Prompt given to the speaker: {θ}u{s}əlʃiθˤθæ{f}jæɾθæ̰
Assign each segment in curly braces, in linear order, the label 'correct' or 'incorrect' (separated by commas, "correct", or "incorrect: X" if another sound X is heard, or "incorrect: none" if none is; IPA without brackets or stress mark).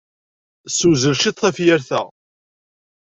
incorrect: s, incorrect: z, correct